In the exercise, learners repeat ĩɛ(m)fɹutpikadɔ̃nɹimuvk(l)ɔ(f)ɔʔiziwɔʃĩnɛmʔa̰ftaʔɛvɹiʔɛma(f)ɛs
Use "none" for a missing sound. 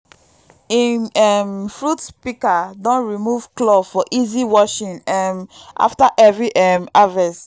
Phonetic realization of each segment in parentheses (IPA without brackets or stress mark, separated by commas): m, l, f, v